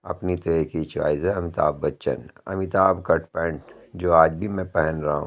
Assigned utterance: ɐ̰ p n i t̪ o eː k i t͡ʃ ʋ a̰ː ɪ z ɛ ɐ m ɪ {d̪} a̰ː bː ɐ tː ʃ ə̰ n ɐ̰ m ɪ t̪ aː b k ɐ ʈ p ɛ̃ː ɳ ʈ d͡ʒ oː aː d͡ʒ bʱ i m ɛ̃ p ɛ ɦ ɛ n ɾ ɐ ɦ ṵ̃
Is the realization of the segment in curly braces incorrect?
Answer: yes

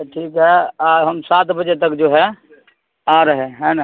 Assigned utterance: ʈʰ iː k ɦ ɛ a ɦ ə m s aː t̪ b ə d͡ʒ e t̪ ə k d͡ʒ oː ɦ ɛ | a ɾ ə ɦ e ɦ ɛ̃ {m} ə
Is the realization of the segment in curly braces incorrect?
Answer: yes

